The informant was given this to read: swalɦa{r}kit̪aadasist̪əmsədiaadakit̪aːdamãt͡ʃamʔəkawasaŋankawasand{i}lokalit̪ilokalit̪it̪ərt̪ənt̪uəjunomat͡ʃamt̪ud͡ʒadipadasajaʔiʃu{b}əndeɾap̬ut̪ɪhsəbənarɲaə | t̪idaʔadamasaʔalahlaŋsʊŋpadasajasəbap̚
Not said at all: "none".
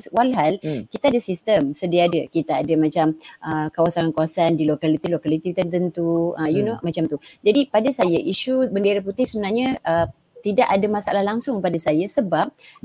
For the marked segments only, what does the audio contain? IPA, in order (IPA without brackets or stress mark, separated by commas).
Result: l, i, b